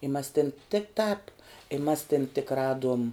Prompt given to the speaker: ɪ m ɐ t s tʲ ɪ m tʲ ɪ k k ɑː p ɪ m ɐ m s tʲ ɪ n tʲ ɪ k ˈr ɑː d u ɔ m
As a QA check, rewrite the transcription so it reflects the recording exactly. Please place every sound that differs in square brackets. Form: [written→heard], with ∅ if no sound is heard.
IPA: ɪ m ɐ [t→∅] s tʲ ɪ [m→n] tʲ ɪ k [k→t] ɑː p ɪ m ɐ [m→∅] s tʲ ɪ n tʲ ɪ k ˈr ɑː d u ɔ m